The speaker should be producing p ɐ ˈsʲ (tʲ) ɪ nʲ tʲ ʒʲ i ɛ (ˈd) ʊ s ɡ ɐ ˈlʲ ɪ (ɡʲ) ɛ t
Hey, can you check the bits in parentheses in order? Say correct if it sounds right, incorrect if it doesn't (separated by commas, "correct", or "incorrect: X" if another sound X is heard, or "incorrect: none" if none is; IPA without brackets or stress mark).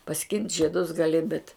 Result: incorrect: kʲ, correct, incorrect: bʲ